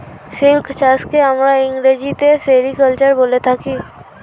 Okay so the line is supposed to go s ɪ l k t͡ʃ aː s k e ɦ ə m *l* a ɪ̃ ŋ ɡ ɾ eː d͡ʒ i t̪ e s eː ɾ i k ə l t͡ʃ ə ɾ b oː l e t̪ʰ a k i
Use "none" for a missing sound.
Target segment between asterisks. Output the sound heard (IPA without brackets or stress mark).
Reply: ɾ